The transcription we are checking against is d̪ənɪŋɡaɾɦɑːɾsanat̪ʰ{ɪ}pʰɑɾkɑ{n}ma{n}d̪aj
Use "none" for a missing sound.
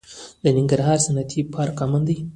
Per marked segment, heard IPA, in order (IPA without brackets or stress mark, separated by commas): i, none, n